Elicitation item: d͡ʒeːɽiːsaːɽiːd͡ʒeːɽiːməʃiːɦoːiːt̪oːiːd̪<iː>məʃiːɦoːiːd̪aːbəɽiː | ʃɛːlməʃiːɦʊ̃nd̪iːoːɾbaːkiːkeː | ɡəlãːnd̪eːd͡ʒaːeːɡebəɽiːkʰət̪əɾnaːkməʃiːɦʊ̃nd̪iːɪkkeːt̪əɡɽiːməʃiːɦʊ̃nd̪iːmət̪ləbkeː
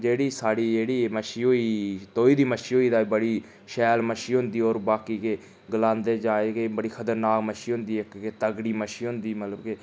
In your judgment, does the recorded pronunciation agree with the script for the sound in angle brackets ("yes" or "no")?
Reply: yes